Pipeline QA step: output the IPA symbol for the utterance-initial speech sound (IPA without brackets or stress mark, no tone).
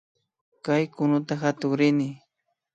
k